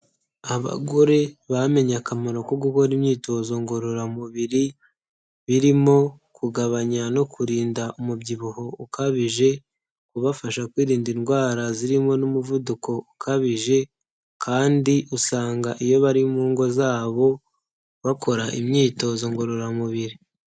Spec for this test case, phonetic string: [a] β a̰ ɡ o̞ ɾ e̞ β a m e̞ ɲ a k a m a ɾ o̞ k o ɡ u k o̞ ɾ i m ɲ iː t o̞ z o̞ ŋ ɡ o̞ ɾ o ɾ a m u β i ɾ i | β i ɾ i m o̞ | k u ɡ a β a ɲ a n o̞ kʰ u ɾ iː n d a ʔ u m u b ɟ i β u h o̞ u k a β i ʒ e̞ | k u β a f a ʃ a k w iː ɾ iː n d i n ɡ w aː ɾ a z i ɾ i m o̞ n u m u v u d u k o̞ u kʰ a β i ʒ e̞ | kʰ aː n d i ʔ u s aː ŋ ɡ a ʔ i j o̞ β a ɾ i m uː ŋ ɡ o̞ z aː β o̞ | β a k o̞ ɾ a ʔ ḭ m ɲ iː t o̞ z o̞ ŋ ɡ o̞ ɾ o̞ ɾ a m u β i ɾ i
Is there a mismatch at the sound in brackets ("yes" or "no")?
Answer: no